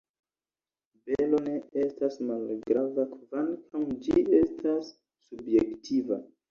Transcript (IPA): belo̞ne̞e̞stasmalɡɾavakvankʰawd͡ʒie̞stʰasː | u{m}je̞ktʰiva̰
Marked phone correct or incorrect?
incorrect